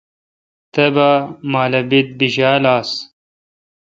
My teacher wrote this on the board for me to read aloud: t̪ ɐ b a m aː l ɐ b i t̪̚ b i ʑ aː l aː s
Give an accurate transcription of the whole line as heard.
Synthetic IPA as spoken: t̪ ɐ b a m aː l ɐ b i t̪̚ b i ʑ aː l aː s